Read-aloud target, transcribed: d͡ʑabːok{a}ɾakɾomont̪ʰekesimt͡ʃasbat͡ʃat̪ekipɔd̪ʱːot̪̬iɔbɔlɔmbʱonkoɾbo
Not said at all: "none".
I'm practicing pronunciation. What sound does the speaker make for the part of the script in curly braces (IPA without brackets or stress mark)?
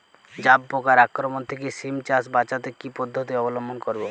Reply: a